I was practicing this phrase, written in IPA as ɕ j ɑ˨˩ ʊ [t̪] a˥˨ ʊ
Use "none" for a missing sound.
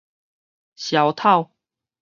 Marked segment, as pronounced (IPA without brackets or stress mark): t̪ʰ